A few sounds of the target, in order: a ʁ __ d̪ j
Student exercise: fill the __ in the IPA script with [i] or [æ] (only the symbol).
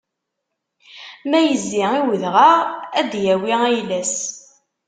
æ